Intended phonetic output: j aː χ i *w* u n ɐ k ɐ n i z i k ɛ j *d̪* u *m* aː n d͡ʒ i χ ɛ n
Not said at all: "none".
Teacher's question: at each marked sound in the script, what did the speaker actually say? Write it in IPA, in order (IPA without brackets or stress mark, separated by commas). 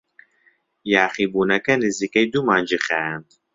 b, d̪, m